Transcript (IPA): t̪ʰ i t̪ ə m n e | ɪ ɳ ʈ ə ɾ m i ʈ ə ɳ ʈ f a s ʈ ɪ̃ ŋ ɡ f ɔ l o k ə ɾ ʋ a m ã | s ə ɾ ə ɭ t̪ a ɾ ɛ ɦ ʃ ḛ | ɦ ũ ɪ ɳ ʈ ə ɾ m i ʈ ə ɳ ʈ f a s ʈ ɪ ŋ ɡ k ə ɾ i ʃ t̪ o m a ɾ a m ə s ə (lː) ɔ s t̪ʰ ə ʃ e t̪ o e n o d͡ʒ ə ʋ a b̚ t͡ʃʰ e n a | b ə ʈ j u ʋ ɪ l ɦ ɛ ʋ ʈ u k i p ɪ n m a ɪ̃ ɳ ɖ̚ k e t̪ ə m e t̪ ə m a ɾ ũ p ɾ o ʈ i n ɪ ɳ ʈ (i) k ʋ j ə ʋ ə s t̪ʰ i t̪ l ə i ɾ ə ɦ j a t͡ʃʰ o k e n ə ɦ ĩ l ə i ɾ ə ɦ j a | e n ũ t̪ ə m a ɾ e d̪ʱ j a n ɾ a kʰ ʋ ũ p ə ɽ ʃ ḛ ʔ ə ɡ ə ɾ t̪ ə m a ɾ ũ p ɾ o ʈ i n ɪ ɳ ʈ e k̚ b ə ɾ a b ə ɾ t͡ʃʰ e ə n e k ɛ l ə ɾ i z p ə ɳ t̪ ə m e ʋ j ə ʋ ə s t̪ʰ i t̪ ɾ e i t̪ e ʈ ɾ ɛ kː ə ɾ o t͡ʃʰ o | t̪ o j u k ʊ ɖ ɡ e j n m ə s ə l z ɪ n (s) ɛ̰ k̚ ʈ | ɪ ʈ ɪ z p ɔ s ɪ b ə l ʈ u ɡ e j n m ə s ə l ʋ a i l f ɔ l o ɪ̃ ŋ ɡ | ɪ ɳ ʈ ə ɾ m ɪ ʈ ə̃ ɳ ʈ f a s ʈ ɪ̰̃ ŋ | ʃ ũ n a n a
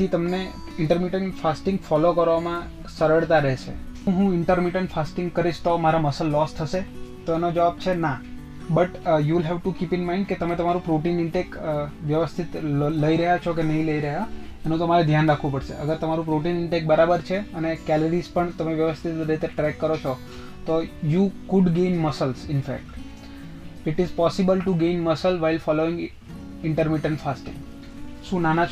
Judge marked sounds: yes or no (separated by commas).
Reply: yes, no, no